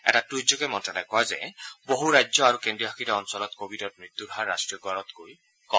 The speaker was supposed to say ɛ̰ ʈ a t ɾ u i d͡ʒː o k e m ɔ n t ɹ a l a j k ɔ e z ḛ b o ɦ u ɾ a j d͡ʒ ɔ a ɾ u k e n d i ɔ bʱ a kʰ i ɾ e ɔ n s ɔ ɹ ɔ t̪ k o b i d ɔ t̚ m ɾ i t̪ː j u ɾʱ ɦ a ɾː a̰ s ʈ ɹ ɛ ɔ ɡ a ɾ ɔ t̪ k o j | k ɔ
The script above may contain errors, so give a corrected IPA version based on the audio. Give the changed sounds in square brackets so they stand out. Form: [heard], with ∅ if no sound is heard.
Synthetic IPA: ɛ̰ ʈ a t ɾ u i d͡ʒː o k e m ɔ n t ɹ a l a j k ɔ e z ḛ b o ɦ u ɾ a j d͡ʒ ɔ a ɾ u k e n d i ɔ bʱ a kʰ i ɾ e ɔ n s ɔ [l] ɔ t̪ k o b i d ɔ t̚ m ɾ i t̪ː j u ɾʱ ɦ a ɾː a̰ s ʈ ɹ [i] ɔ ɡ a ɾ ɔ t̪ k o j | k ɔ